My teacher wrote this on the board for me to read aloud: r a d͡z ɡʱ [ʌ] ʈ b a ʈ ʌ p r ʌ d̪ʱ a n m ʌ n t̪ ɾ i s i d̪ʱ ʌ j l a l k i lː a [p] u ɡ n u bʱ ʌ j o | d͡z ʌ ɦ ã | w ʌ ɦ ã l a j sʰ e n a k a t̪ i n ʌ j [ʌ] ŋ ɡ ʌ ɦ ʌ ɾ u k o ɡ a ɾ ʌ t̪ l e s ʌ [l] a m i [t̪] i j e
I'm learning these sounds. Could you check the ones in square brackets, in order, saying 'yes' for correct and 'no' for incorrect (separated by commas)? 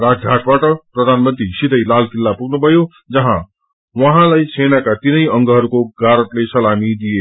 no, yes, yes, yes, no